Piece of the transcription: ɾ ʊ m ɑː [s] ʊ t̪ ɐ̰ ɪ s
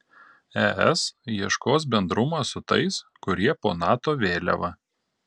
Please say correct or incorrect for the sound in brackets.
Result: correct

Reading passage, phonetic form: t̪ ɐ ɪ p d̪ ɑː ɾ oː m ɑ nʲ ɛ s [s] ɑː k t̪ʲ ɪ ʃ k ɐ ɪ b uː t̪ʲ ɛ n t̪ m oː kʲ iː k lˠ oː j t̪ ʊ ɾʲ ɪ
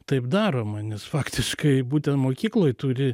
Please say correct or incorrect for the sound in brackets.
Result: incorrect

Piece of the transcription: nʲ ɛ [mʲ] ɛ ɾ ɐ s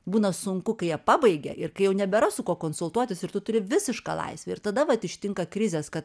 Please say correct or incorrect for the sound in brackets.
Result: incorrect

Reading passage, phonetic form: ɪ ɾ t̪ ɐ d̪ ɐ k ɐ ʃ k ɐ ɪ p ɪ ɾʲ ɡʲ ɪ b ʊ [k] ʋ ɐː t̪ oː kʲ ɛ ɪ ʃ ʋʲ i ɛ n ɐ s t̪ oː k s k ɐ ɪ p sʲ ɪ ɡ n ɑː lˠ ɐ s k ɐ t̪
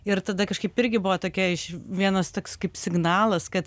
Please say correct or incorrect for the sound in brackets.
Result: incorrect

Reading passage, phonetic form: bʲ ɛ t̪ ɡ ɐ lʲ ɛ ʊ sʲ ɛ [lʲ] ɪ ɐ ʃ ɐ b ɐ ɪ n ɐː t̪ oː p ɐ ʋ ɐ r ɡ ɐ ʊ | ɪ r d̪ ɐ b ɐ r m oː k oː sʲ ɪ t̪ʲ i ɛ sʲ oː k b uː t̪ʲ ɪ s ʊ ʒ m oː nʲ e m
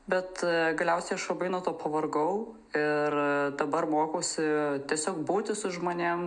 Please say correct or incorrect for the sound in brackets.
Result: incorrect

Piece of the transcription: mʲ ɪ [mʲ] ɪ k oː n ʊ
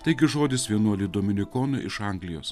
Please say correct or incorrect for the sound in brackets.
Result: incorrect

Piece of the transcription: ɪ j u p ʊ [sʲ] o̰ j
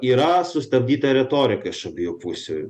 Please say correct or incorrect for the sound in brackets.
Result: correct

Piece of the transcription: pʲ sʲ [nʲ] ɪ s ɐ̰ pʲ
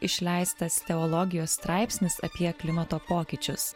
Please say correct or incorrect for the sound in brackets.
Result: correct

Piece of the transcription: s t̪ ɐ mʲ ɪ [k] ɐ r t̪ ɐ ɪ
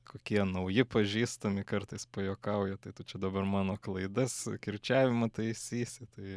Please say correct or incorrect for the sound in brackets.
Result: correct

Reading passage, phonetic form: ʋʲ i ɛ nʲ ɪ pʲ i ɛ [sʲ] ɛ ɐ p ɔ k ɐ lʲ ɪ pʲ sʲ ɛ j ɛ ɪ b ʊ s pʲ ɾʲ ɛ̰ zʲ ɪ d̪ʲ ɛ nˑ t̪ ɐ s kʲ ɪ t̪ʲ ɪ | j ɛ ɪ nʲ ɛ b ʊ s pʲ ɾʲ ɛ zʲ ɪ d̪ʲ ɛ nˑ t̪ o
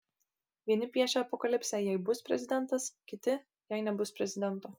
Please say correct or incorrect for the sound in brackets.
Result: incorrect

